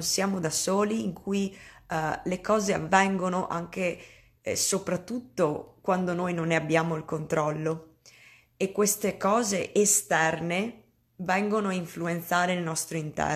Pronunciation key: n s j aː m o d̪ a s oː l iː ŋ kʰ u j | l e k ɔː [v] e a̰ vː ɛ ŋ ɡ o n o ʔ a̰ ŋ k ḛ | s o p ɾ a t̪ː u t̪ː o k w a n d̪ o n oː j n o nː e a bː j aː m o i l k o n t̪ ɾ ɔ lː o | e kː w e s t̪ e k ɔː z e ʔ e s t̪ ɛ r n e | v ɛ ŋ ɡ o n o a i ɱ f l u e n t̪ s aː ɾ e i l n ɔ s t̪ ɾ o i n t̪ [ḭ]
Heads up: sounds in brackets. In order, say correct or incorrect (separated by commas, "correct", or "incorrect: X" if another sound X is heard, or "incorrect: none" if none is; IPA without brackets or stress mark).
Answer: incorrect: z, incorrect: ɛ̰